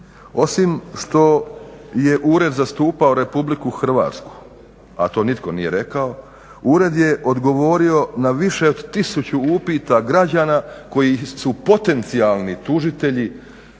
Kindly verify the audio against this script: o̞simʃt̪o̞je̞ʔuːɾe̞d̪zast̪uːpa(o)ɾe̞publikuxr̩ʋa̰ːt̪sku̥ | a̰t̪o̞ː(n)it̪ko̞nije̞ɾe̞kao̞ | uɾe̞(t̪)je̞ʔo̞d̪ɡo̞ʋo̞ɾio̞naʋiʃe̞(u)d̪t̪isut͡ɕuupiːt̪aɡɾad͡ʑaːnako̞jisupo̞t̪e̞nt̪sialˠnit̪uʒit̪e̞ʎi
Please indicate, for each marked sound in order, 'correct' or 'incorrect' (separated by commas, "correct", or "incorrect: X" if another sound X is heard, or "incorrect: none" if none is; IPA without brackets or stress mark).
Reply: correct, correct, incorrect: d̪, incorrect: o